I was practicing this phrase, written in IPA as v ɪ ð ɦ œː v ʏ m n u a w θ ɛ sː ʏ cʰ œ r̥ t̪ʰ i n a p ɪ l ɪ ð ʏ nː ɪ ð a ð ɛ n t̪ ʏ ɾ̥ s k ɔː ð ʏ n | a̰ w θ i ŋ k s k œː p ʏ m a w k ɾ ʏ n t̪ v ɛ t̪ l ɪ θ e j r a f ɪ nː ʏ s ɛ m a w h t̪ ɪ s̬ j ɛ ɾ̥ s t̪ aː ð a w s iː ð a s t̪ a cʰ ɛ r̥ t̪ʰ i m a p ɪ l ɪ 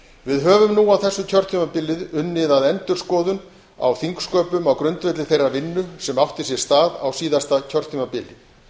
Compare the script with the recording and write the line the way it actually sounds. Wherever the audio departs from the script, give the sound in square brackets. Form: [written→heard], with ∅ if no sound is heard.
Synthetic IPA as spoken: v ɪ ð ɦ œː v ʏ m n u a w θ ɛ sː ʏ cʰ œ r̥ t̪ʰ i [n→m] a p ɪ l ɪ ð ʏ nː ɪ ð a ð ɛ n t̪ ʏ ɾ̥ s k ɔː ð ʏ n | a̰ w θ i ŋ k s k œː p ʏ m a w k ɾ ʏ n t̪ v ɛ t̪ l ɪ θ e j r a [f→v] ɪ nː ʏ s ɛ m a w h t̪ ɪ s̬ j ɛ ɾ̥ s t̪ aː ð a w s iː ð a s t̪ a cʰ [ɛ→œ] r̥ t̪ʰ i m a p ɪ l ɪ